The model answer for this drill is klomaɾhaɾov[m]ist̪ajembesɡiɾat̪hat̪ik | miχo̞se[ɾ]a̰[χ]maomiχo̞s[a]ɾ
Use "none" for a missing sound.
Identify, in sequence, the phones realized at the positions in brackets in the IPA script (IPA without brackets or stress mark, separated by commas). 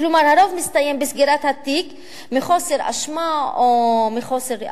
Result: m, ɾ, ʃ, e